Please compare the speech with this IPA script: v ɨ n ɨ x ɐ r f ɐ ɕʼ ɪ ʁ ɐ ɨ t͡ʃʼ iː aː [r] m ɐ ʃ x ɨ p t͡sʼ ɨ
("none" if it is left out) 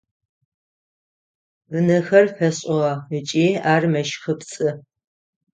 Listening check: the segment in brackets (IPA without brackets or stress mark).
r